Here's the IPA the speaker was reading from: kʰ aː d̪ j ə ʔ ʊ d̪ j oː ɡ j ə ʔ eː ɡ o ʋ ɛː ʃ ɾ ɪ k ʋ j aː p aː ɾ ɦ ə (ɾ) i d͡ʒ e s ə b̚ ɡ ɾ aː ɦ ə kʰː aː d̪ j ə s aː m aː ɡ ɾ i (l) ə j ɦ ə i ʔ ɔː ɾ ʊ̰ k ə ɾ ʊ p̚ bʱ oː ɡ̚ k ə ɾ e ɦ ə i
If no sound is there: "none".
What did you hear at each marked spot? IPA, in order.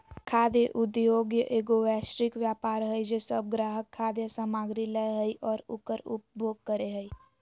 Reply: none, l

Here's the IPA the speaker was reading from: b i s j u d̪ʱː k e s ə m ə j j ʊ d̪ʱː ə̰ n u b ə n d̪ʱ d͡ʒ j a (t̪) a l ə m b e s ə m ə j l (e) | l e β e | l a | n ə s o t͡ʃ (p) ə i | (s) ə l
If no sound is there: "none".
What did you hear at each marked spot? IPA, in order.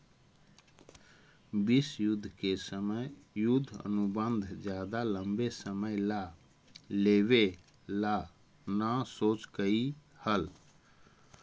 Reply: d̪, a, k, h

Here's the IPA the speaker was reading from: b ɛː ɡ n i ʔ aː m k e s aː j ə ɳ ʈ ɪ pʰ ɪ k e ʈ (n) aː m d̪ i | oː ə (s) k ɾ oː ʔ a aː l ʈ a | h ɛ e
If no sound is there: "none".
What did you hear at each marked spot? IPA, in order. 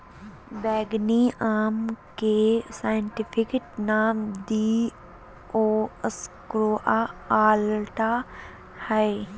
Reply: n, s

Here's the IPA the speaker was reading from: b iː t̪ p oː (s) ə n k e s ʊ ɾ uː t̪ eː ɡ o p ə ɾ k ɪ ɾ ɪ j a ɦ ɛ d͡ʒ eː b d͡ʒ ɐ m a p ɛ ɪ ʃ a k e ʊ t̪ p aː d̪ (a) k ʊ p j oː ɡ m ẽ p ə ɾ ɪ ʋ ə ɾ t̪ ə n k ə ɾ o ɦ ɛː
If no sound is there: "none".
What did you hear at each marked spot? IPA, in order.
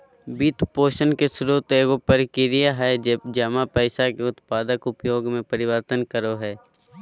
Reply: ʃ, ə

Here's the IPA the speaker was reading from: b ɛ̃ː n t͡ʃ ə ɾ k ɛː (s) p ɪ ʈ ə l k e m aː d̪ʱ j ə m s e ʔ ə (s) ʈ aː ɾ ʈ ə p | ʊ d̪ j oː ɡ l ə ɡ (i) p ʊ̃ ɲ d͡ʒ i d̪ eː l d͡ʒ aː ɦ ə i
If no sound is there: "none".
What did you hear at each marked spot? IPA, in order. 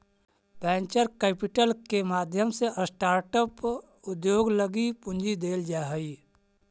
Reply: none, s, i

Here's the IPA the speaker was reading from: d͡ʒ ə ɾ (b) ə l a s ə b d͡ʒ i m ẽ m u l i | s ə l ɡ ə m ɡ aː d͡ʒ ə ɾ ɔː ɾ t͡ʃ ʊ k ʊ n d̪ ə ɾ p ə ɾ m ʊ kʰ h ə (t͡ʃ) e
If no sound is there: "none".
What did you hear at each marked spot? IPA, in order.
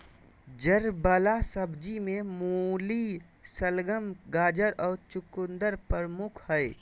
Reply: b, none

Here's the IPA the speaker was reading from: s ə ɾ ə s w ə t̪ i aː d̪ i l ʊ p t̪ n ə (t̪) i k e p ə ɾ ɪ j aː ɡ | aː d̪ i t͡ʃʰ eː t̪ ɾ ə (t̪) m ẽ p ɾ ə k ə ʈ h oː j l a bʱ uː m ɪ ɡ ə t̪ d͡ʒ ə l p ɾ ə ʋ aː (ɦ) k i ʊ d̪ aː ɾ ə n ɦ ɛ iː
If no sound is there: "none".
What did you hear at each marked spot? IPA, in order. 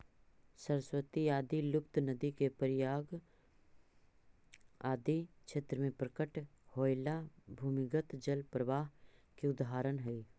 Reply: d̪, none, ɦ

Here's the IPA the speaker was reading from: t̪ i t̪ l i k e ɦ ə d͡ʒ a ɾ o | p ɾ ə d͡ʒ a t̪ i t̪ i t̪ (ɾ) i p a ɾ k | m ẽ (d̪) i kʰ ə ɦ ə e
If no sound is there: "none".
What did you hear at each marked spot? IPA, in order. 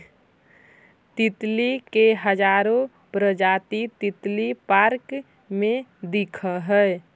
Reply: l, d̪

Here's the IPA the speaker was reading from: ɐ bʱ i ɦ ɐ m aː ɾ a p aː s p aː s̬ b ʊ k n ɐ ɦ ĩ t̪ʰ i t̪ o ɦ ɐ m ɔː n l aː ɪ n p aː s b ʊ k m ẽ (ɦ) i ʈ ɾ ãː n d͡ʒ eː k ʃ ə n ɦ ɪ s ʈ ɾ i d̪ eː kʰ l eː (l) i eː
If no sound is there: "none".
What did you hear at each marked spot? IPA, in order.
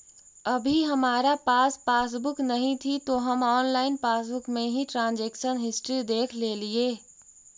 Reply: ɦ, l

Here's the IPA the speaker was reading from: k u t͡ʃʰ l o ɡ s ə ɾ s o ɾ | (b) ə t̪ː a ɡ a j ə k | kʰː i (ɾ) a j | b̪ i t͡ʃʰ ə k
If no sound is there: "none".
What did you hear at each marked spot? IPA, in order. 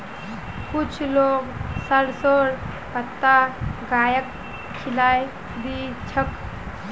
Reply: p, l

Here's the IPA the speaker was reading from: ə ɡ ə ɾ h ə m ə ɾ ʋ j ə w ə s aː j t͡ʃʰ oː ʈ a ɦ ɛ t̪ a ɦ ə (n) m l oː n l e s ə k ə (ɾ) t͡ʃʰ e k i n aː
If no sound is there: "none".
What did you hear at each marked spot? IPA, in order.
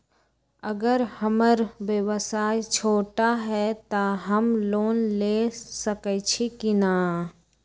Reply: none, none

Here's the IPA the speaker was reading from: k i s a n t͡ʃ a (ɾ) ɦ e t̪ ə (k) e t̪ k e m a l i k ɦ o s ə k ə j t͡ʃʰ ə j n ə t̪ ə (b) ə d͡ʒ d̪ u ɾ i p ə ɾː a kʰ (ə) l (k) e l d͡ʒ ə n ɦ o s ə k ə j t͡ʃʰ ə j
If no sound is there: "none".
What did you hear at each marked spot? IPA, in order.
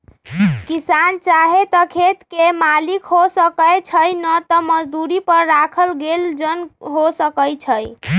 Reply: none, kʰ, m, ə, ɡ

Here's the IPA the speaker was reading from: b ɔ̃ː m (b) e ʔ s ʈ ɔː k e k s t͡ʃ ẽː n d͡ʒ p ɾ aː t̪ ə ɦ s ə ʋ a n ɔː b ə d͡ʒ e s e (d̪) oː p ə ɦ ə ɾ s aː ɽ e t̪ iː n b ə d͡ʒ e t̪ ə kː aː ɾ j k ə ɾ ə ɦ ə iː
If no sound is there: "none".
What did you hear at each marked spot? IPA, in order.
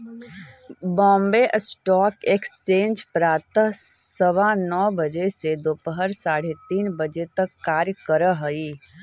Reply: b, d̪

